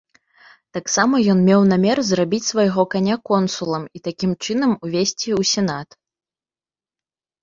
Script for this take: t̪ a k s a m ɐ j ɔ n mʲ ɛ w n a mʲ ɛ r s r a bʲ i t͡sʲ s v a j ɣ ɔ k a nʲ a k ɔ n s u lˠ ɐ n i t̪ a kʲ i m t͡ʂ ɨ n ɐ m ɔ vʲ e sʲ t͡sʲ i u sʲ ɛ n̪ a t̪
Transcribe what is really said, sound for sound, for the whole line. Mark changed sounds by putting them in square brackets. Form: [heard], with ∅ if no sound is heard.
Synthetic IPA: t̪ a k s a m ɐ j ɔ n mʲ ɛ w n a mʲ ɛ r [z] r a bʲ i t͡sʲ s v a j ɣ ɔ k a nʲ a k ɔ n s u lˠ ɐ [m] i t̪ a kʲ i m t͡ʂ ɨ n ɐ m [u] vʲ e sʲ t͡sʲ i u sʲ ɛ n̪ a t̪